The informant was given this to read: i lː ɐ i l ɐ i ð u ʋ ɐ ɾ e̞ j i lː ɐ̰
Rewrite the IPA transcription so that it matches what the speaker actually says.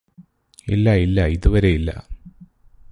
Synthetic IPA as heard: i lː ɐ i lː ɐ i ð u ʋ ɐ ɾ e̞ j i lː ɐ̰

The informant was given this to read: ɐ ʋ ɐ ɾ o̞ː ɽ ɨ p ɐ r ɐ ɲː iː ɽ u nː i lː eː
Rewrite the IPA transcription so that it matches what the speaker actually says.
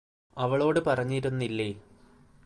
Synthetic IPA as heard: ɐ ʋ ɐ ɭ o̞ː ɽ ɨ p ɐ r ɐ ɲː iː ɾ u nː i lː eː

